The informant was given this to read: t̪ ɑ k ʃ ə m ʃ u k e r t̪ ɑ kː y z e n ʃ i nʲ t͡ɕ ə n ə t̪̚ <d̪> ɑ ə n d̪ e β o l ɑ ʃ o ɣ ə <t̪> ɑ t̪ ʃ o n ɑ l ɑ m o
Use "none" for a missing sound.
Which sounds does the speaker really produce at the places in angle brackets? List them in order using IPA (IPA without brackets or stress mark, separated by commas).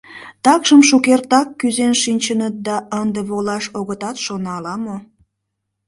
d̪, t̪